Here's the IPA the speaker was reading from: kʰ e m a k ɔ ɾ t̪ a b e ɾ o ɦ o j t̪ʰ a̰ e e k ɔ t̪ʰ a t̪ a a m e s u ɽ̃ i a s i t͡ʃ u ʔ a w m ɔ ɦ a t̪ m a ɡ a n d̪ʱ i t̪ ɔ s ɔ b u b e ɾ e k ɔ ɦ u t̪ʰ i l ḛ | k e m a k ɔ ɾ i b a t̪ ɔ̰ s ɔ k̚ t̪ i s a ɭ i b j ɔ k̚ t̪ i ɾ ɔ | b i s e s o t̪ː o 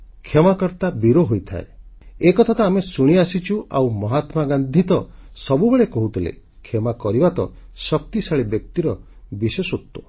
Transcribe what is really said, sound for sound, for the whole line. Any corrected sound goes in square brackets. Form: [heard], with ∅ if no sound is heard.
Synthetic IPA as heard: kʰ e m a k ɔ ɾ t̪ a b [i] ɾ o ɦ o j t̪ʰ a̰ e e k ɔ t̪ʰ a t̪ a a m e s u ɽ̃ i a s i t͡ʃ u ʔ a w m ɔ ɦ a t̪ m a ɡ a n d̪ʱ i t̪ ɔ s ɔ b u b e [ɭ] e k ɔ ɦ u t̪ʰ i l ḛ | [kʰ] e m a k ɔ ɾ i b a t̪ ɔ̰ s ɔ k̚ t̪ i s a ɭ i b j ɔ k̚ t̪ i ɾ ɔ | b i s e s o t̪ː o